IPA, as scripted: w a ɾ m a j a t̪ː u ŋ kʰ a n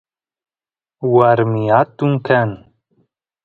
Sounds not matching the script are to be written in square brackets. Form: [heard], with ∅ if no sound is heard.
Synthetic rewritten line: w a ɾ m [i] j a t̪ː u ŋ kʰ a n